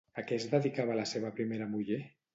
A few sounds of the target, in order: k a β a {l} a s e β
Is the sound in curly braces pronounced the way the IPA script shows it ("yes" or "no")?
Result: yes